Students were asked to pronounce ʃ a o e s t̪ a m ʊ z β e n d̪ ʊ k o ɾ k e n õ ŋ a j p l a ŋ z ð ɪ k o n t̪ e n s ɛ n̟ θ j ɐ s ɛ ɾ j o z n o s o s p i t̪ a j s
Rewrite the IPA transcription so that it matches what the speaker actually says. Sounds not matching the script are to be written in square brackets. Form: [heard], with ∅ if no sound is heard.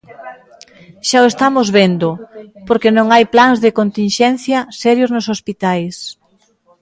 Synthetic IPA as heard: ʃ a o e s t̪ a m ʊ z β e n d̪ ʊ [p] o ɾ k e n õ ŋ a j p l a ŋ z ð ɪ k o n t̪ [i] n [ʃ] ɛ n̟ θ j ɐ s ɛ ɾ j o z n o s o s p i t̪ a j s